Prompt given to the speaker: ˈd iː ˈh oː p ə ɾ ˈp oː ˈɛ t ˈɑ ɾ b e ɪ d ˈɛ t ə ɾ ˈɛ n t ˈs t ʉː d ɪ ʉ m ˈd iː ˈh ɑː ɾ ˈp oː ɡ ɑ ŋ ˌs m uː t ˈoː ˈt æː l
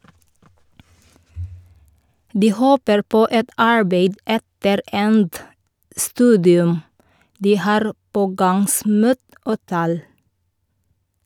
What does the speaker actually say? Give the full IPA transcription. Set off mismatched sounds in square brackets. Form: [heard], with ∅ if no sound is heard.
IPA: ˈd iː ˈh oː p ə ɾ ˈp oː ˈɛ t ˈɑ [ɹ] b e ɪ d ˈɛ t ə ɾ ˈɛ n t ˈs t ʉː d ɪ ʉ m ˈd iː ˈh ɑː ɾ ˈp oː ɡ ɑ ŋ ˌs m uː t ˈoː ˈt æː l